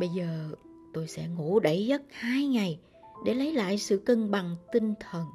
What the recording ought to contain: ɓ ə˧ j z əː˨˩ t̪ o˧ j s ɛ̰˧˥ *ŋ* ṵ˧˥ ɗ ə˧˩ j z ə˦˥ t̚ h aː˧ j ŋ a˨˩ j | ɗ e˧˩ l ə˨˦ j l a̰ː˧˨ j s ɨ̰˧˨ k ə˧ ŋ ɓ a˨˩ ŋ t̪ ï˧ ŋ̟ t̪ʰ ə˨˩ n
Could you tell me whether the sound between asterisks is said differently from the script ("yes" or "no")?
no